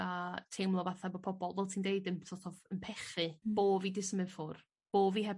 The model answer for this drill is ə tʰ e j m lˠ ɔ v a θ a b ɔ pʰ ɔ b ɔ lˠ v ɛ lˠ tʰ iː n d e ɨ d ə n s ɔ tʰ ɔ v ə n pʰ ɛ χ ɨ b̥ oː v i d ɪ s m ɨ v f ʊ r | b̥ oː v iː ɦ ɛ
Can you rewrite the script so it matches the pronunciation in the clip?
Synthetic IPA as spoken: a tʰ e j m lˠ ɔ v a θ a b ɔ pʰ ɔ b ɔ lˠ v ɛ lˠ tʰ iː n d e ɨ d ə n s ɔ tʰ ɔ v ə n pʰ ɛ χ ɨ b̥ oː v i d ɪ s m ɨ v f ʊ r | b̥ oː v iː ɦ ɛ